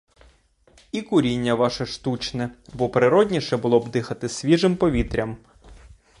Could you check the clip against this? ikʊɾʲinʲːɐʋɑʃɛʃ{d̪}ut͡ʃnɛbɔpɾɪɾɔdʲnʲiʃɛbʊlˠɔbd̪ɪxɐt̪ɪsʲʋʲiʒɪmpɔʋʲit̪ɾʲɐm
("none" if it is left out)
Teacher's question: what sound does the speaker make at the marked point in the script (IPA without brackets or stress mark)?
t̪